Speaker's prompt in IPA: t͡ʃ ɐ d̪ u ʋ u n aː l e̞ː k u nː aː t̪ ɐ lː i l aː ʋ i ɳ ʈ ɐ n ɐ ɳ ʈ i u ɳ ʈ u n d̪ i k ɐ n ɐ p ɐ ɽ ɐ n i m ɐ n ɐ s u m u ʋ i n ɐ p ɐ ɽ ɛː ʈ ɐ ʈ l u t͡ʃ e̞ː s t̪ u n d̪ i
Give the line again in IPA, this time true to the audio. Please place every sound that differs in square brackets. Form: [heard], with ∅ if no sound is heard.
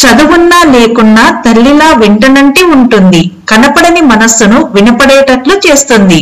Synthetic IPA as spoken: t͡ʃ ɐ d̪ u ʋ u [nː] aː l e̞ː k u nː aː t̪ ɐ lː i l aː ʋ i ɳ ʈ ɐ n ɐ ɳ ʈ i u ɳ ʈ u n d̪ i k ɐ n ɐ p ɐ ɽ ɐ n i m ɐ n ɐ s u [n] u ʋ i n ɐ p ɐ ɽ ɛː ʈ ɐ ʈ l u t͡ʃ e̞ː s t̪ u n d̪ i